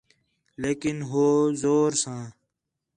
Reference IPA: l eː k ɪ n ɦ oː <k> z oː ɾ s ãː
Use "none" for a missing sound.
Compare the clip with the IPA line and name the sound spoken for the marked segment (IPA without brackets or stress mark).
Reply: none